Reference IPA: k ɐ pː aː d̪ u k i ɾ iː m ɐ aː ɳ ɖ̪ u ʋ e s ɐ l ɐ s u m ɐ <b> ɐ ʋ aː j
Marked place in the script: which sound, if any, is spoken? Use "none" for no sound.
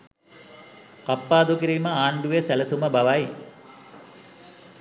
b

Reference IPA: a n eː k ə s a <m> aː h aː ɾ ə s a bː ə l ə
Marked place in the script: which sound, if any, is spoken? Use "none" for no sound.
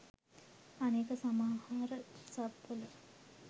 m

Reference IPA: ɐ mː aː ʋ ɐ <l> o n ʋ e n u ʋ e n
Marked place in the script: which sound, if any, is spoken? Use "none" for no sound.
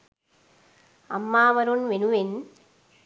ɾ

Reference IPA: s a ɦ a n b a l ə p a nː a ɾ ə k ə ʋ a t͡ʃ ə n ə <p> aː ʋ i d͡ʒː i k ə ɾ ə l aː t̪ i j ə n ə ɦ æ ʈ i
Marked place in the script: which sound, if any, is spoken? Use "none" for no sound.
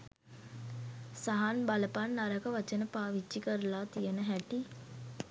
p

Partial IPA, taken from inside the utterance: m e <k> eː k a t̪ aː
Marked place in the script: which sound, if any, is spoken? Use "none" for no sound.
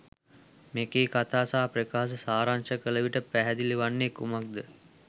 k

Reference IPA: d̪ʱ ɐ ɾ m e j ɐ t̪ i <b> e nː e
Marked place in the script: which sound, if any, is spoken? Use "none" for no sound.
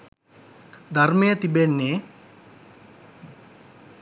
b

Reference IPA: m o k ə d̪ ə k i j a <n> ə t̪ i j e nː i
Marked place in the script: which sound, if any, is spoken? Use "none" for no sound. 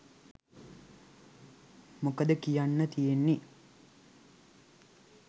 nː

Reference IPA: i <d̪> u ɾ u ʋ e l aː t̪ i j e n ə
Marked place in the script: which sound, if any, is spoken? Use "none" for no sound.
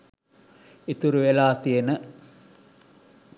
t̪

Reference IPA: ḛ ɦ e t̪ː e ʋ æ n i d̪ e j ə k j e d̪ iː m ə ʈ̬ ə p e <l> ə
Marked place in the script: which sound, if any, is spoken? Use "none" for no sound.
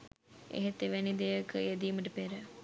ɾ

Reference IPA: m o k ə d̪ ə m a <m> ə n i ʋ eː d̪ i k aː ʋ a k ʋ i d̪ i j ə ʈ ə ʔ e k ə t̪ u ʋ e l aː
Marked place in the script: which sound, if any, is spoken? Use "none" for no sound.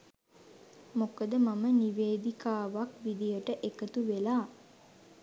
m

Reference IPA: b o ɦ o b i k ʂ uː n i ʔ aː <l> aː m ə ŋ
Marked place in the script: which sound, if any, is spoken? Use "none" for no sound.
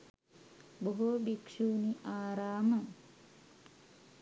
ɾ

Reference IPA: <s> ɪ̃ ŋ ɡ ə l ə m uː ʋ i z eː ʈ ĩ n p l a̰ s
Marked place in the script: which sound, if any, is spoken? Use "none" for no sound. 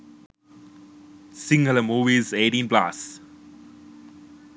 s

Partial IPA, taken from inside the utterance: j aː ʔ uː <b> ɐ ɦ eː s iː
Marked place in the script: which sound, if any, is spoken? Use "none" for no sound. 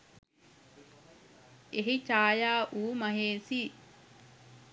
m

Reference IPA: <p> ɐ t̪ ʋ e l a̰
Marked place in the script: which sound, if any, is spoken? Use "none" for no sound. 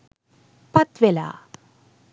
p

